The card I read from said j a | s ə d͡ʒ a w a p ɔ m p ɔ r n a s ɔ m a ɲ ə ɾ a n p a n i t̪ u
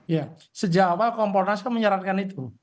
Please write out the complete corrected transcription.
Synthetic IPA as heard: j a | s ə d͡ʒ a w a k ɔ m p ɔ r n a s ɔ m ə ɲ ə ɾ a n k a n i t̪ u